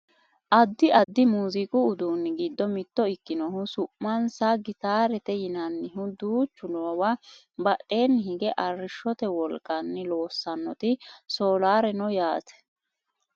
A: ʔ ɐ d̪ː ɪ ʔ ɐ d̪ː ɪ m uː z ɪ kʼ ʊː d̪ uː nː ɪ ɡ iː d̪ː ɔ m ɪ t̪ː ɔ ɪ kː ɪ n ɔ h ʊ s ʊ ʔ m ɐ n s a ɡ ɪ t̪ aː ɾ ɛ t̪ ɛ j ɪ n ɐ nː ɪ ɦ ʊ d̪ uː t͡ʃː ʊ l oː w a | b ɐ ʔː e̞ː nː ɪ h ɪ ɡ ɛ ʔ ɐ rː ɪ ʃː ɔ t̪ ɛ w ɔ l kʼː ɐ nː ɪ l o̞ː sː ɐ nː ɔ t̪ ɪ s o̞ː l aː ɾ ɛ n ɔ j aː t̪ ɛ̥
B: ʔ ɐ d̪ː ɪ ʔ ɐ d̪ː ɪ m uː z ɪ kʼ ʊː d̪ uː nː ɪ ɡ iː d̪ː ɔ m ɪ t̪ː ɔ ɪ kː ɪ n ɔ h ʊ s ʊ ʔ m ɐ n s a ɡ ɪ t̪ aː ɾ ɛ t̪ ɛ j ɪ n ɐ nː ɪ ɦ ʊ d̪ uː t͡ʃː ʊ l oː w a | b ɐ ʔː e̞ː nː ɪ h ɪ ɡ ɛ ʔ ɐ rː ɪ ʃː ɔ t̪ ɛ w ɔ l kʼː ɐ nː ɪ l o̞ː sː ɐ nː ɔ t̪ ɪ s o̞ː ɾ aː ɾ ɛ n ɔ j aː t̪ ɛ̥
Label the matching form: A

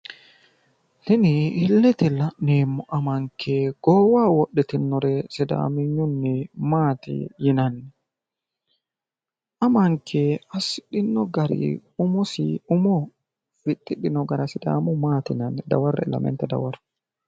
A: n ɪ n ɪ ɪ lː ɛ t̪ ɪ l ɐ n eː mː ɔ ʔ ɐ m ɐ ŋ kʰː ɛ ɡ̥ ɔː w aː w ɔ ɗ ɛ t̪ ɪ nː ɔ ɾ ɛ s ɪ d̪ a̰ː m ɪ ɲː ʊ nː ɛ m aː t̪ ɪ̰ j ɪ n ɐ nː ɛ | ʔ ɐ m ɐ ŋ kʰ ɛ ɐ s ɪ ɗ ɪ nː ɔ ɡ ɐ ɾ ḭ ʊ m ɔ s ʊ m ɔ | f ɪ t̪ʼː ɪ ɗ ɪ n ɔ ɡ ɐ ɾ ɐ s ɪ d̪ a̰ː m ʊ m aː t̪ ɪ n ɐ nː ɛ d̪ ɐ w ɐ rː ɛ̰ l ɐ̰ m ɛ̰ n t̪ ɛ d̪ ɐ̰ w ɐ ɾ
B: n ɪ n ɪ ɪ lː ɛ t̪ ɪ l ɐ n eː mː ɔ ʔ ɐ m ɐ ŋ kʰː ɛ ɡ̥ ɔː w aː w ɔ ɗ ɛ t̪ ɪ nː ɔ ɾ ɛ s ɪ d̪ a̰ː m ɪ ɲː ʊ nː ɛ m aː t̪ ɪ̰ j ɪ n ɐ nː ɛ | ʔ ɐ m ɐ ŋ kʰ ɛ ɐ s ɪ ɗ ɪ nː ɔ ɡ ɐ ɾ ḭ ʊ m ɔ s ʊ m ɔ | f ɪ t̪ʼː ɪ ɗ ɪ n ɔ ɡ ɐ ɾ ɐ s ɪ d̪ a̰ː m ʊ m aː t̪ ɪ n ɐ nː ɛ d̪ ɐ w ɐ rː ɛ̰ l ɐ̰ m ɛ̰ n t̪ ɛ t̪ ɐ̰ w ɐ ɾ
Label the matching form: A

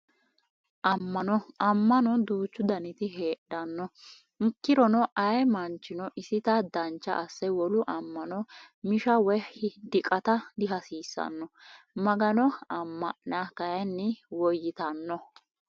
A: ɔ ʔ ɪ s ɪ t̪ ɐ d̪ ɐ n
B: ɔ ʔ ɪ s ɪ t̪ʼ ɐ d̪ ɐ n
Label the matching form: A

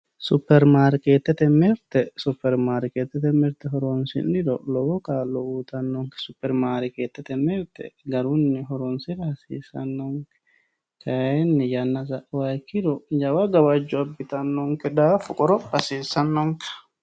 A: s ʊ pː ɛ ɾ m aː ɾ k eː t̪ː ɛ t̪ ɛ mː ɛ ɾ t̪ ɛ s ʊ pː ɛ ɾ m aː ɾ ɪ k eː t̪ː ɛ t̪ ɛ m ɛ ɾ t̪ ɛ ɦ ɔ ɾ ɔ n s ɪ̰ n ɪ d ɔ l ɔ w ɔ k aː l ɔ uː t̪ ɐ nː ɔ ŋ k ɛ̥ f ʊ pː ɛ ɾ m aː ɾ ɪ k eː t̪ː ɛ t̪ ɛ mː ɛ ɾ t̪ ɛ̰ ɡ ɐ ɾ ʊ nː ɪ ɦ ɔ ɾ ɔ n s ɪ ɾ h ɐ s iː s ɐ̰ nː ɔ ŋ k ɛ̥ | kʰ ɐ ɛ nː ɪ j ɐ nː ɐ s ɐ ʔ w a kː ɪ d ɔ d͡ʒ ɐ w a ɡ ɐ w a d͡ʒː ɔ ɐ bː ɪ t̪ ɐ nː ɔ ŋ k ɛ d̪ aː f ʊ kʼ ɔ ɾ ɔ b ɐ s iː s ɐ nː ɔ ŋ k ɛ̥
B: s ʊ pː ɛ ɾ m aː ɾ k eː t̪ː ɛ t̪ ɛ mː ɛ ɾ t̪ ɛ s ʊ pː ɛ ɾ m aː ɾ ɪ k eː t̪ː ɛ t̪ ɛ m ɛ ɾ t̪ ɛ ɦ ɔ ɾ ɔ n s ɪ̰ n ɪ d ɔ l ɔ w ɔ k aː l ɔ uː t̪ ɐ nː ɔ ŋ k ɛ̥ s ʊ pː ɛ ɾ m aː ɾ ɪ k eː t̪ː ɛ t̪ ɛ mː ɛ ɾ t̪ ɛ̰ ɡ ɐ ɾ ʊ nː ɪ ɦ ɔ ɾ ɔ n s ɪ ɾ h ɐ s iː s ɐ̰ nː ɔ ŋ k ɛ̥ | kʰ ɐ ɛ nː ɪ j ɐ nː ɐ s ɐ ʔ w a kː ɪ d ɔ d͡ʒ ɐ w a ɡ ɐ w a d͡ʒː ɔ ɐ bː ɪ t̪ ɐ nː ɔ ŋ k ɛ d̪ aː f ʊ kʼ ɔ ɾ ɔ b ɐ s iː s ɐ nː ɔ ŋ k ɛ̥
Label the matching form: B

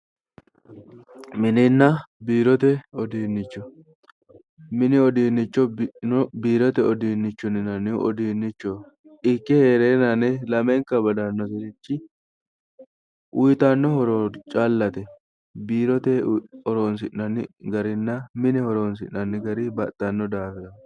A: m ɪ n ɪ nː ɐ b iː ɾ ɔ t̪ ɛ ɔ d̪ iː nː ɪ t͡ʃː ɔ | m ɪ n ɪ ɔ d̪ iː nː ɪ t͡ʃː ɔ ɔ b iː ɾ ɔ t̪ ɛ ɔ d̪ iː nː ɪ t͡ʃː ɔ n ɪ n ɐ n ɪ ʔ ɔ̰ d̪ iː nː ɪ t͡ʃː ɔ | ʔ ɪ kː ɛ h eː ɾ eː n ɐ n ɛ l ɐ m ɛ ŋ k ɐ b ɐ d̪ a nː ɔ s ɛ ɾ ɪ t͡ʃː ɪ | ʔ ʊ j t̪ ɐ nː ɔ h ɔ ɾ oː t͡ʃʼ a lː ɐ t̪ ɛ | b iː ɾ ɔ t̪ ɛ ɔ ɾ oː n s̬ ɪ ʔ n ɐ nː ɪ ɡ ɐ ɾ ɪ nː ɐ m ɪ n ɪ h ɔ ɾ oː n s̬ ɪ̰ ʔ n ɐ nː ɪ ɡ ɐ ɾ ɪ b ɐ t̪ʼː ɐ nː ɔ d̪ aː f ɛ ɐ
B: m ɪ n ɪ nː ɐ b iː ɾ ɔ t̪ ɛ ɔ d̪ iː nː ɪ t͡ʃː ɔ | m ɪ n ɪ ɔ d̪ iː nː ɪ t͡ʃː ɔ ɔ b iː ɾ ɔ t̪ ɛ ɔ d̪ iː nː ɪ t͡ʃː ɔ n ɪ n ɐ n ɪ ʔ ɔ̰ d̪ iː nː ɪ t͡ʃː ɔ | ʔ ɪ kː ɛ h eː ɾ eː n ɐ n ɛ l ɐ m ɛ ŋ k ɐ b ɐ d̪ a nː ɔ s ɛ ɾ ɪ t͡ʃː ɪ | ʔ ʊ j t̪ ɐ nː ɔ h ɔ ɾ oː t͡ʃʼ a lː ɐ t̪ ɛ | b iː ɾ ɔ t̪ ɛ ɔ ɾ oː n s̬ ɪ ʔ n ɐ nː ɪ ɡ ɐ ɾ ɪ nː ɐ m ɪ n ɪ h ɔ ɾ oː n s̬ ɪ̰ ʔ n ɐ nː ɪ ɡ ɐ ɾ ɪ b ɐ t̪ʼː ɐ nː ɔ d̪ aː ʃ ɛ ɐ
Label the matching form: A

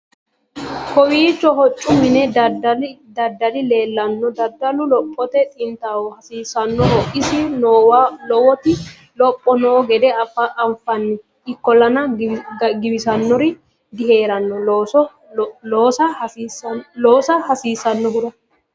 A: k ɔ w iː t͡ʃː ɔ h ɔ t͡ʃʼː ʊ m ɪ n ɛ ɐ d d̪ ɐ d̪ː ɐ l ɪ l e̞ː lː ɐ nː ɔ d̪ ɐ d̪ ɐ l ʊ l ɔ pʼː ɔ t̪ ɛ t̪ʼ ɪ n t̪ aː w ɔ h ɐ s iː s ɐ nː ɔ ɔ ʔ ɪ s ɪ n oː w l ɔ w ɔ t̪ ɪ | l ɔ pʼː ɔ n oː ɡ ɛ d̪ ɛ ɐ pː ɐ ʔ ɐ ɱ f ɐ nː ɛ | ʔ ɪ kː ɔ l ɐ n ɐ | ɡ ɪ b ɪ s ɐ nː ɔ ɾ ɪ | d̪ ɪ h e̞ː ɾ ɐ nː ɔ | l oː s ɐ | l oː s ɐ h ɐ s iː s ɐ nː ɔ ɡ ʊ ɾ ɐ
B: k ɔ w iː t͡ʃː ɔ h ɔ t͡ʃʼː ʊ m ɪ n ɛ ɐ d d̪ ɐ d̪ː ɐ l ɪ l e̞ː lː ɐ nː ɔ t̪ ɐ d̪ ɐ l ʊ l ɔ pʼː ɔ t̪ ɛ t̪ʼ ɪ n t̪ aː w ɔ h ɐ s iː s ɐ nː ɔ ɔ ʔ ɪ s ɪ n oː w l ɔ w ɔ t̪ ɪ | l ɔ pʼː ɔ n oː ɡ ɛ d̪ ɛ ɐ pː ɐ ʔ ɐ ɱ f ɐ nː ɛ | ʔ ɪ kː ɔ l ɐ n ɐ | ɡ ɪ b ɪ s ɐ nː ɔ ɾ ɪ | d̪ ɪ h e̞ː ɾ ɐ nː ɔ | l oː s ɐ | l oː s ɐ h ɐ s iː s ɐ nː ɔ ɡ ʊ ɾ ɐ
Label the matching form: A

